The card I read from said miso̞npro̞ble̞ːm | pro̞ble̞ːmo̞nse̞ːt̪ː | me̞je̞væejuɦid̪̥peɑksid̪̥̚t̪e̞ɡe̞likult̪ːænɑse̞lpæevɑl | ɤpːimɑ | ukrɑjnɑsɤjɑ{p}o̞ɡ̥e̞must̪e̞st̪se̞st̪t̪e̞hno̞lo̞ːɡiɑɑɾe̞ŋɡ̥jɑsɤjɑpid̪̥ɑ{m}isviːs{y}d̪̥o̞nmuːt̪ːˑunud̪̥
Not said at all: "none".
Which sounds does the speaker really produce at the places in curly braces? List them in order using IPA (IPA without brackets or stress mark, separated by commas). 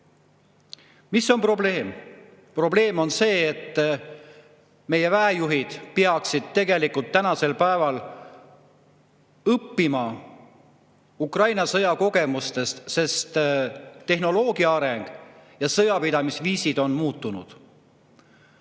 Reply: k, m, i